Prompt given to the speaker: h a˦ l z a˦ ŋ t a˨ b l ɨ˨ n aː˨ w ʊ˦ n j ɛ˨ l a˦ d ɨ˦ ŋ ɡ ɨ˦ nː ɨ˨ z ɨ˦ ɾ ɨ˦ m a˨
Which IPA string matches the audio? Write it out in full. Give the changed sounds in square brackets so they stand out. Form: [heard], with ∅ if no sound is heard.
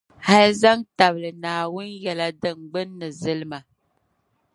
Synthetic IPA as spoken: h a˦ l z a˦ ŋ t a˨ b l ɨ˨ n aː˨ w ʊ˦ n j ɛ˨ l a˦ d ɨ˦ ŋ [ɡ͡b] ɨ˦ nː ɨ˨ z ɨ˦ [l] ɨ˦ m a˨

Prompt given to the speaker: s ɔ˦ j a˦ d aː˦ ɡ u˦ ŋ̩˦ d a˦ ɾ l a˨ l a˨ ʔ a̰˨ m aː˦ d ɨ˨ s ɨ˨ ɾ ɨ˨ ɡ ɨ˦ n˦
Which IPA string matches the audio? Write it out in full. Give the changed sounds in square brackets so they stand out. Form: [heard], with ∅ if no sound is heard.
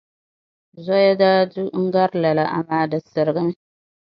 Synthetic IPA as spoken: [z] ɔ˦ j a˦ d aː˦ [d] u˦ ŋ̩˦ [ɡ] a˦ ɾ l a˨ l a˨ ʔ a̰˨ m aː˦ d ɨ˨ s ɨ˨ ɾ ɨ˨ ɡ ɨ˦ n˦

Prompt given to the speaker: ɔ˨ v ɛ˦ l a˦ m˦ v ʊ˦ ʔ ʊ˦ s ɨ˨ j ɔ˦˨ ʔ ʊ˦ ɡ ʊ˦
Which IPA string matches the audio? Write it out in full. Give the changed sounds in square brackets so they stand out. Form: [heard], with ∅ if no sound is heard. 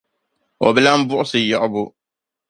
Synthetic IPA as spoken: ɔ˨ [b] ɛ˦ l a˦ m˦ [b] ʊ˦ ʔ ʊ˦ s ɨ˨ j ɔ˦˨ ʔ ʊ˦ [b] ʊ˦

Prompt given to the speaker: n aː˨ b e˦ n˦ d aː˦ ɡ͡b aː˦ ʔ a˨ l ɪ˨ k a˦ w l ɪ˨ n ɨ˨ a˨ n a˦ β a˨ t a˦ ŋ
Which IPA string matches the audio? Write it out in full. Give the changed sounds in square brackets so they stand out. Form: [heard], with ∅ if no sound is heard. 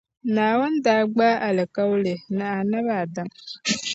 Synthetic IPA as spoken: n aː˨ [w] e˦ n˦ d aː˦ ɡ͡b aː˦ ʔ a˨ l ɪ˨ k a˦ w l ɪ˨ n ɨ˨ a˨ n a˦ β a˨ [d] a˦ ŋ

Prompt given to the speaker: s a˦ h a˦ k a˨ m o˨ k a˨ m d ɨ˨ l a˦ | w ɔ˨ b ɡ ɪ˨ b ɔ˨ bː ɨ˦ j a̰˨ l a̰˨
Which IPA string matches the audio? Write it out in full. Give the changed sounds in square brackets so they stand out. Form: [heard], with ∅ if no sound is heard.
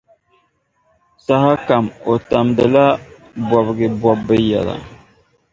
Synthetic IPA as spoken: s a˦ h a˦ k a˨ m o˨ [t] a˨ m d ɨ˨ l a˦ | [b] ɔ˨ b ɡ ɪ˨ b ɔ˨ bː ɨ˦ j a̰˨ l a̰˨

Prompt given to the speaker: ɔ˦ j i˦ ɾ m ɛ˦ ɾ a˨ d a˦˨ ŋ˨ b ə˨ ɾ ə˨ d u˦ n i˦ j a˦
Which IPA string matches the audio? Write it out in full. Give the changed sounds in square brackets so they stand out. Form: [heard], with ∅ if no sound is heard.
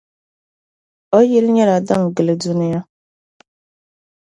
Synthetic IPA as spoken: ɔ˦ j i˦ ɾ [ɲ] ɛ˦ ɾ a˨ d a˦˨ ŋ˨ [ɡ] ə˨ [l] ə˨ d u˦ n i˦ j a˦

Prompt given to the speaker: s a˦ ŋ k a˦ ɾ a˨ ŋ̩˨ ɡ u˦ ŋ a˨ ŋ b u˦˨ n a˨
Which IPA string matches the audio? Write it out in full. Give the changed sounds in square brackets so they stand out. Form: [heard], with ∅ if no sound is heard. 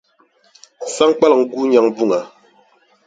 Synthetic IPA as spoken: s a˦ ŋ [k͡p] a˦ [l] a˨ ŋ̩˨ ɡ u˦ [ɲ] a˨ ŋ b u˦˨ [ŋ] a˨

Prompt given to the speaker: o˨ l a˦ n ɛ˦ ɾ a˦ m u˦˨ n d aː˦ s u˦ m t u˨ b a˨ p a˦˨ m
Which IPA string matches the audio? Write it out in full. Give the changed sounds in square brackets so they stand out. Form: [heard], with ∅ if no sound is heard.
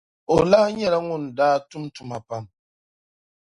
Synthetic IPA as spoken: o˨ l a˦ [ɲ] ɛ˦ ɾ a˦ [ŋ] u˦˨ n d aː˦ [t] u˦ m t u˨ [m] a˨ p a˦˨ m

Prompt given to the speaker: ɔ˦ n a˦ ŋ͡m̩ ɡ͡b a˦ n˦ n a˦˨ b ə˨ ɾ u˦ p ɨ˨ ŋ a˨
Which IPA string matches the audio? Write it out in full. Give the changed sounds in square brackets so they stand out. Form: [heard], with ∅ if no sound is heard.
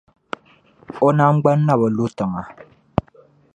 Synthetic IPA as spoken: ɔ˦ n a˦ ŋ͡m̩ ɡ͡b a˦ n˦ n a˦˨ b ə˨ [l] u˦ [t] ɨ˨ ŋ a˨

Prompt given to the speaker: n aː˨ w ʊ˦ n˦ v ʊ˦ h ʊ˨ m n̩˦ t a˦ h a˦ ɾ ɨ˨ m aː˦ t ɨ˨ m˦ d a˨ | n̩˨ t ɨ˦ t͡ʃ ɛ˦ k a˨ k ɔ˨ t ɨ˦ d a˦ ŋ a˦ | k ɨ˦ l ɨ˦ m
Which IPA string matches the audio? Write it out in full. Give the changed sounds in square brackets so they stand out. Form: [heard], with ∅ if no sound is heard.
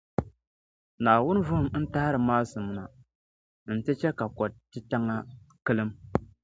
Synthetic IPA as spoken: n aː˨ w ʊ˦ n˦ v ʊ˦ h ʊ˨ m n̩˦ t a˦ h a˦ ɾ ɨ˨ m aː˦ [s] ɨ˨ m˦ [n] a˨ | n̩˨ t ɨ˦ t͡ʃ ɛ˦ k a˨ k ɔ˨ t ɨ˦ [t] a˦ ŋ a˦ | k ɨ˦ l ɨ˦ m

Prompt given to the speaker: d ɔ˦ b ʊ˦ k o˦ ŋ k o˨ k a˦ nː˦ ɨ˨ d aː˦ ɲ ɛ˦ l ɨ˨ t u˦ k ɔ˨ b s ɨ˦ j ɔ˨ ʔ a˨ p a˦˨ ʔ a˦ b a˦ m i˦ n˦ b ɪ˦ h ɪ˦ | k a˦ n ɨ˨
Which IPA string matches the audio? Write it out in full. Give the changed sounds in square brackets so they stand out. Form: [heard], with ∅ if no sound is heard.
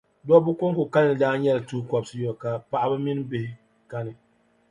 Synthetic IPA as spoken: d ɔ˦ b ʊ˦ k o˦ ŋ k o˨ k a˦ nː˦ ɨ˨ d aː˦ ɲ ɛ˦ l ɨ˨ t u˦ k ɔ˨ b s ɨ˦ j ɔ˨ [k] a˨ p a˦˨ ʔ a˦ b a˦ m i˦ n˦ b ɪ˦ h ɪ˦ | k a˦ n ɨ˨

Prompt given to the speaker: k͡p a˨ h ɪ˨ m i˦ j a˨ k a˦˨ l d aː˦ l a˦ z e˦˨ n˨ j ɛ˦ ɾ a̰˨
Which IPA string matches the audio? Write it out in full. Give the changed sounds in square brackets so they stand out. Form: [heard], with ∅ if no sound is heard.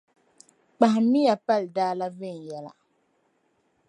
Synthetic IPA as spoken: k͡p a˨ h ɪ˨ m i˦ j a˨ [p] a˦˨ l d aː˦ l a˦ [v] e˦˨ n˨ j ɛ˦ [l] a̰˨

